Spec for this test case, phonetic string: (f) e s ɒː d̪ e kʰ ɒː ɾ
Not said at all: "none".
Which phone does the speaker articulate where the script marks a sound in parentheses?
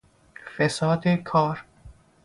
f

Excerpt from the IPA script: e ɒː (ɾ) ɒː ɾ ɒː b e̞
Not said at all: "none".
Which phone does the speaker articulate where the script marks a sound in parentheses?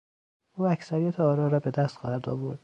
ɾ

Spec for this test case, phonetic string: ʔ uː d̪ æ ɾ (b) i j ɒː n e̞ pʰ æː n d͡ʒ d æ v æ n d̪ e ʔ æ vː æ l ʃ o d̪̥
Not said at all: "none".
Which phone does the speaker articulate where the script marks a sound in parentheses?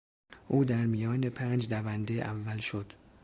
m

